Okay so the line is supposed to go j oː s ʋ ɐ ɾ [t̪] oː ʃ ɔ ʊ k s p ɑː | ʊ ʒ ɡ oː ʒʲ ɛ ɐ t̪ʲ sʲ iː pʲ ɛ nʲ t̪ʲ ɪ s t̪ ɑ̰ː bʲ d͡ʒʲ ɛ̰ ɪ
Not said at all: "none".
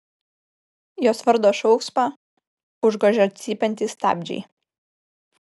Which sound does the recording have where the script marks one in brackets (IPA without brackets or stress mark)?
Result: d̪